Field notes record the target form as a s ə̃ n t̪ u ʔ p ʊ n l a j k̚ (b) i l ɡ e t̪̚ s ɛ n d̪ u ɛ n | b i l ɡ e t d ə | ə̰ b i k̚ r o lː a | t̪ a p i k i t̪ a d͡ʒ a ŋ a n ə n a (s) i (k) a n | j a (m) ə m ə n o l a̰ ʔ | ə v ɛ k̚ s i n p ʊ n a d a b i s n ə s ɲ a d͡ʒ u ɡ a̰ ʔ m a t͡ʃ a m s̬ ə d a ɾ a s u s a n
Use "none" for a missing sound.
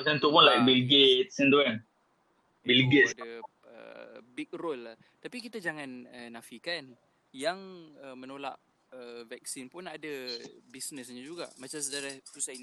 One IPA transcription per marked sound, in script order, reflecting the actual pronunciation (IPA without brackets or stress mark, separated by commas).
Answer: b, f, k, ŋ